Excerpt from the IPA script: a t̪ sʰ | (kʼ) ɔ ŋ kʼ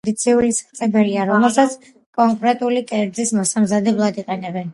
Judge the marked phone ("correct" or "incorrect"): correct